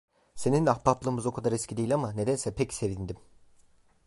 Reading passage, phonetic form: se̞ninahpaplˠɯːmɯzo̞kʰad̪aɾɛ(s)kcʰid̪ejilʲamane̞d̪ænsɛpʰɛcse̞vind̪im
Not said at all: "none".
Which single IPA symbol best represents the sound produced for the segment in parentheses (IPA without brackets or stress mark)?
s